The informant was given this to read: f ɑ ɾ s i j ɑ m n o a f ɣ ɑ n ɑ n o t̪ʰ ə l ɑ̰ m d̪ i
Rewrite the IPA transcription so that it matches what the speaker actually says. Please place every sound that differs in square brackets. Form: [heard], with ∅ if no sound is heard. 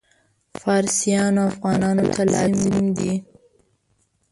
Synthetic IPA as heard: f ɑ ɾ s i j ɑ [∅] n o a f ɣ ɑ n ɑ n o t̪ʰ [a] l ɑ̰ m d̪ i